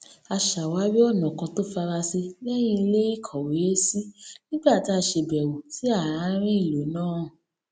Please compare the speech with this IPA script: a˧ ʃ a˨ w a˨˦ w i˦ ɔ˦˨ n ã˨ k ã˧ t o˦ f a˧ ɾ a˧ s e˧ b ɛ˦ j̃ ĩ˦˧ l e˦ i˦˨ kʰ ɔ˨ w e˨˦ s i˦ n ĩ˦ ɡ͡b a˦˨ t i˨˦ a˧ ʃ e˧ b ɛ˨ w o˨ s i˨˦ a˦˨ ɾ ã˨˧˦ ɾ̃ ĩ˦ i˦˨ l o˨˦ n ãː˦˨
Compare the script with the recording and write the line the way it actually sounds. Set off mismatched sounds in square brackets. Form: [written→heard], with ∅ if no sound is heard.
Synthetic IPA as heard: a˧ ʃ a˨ w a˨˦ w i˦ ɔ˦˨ n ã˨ k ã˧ t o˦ f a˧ ɾ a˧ s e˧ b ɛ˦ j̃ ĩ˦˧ l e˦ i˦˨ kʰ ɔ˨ w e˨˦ s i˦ n ĩ˦ ɡ͡b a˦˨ t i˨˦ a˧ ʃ e˧ b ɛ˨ w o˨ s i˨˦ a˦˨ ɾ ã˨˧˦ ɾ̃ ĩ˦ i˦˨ l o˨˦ n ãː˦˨